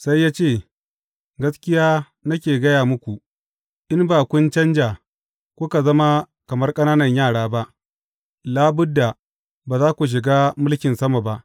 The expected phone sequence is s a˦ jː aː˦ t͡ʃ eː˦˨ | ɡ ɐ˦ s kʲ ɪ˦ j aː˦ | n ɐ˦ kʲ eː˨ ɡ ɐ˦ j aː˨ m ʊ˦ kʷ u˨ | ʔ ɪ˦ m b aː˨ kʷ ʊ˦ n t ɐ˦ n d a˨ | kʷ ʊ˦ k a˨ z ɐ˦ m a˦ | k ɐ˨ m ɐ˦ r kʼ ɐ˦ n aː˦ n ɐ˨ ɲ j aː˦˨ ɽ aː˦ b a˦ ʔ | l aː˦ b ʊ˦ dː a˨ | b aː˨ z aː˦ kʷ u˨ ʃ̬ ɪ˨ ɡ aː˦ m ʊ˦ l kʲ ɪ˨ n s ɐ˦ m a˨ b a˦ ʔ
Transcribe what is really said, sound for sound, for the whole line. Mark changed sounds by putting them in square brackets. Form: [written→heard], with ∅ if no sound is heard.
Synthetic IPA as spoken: s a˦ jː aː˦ t͡ʃ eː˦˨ | ɡ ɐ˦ s kʲ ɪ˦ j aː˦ | n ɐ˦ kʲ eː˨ ɡ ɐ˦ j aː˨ m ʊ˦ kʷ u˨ | ʔ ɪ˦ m b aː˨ kʷ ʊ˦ n [t→t͡ʃ] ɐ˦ n [d→d͡ʒ] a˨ | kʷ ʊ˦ k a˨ z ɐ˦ m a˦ | k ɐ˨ m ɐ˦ r kʼ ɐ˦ n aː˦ n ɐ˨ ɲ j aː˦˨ ɽ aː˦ b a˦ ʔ | l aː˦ b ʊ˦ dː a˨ | b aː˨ z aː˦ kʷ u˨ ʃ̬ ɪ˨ ɡ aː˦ m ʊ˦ l kʲ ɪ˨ n s ɐ˦ m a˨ b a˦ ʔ